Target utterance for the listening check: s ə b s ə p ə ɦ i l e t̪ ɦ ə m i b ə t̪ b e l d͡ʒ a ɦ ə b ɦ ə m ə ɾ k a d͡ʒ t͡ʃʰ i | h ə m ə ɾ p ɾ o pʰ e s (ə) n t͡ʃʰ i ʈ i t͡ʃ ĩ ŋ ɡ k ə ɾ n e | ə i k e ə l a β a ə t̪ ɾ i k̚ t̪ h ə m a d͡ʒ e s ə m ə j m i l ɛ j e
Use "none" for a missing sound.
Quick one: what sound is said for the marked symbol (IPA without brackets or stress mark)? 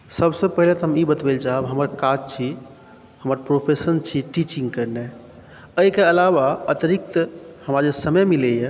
ə